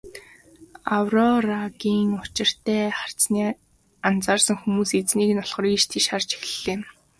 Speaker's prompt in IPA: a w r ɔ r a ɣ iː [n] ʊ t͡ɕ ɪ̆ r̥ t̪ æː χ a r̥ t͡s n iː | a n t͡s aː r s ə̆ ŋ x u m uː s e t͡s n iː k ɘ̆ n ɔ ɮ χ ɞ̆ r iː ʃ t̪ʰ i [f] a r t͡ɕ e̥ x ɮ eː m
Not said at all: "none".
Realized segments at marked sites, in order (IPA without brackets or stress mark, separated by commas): ŋ, ʃ